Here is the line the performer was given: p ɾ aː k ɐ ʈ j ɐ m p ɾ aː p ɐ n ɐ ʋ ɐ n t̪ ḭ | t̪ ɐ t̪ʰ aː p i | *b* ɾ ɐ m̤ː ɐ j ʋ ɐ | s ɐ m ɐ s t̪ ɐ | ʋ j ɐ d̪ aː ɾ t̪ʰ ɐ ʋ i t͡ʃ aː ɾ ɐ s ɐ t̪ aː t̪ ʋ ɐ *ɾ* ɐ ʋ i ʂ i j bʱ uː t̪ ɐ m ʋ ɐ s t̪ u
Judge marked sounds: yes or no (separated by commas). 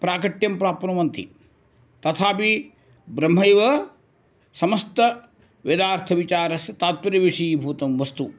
yes, yes